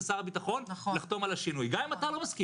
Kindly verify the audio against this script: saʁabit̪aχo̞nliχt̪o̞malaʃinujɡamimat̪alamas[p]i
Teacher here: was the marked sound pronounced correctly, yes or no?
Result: no